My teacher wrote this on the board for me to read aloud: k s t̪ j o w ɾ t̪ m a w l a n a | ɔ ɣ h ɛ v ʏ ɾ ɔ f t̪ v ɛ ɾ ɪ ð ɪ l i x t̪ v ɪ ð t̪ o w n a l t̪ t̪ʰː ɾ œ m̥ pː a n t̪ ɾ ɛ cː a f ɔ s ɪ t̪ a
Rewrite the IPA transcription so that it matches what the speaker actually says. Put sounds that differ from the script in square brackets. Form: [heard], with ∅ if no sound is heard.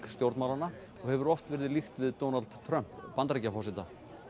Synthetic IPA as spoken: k s t̪ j o w ɾ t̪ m a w l a n a | ɔ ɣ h ɛ v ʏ ɾ ɔ f t̪ v ɛ ɾ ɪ ð ɪ l i x t̪ v ɪ ð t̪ o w n a l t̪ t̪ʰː ɾ œ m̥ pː a n t̪ ɾ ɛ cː a f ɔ s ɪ t̪ a